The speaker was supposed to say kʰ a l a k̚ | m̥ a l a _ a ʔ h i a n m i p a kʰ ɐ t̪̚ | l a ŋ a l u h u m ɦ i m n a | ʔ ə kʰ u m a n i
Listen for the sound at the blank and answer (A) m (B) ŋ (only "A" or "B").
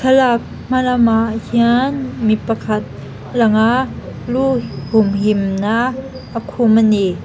A